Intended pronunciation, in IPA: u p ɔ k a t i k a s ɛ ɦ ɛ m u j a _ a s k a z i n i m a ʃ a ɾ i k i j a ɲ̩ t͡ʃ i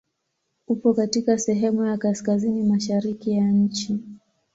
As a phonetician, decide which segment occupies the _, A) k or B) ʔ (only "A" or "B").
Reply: A